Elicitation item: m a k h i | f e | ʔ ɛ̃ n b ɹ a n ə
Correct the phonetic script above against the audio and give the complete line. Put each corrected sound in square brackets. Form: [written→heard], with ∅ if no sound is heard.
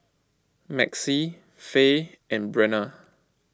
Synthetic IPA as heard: m [a→ɛ] k [h→s] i | f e | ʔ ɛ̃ n b ɹ [a→ɛ] n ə